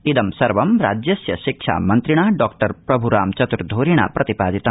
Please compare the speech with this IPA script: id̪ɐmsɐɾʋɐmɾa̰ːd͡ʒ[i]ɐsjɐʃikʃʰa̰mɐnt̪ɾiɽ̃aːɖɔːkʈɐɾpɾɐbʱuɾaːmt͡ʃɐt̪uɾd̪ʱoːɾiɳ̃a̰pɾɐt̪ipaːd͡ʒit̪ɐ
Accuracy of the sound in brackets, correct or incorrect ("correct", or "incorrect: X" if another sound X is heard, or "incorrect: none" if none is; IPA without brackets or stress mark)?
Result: incorrect: j